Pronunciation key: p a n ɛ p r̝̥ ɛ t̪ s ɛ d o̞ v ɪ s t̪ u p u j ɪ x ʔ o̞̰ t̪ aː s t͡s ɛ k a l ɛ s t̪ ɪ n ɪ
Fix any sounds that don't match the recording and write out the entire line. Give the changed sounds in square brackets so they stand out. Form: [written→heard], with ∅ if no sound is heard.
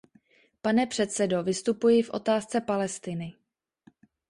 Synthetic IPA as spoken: p a n ɛ p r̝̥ ɛ t̪ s ɛ d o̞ v ɪ s t̪ u p u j ɪ [x→f] ʔ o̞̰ t̪ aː s t͡s ɛ [k→p] a l ɛ s t̪ ɪ n ɪ